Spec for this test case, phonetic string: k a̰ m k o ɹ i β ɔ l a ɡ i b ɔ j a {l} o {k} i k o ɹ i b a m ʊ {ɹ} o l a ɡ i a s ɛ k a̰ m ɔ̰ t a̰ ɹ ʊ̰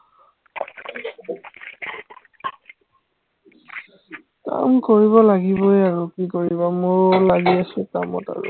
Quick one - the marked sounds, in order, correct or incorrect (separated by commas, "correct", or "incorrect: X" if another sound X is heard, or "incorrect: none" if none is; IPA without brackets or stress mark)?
incorrect: ɹ, correct, correct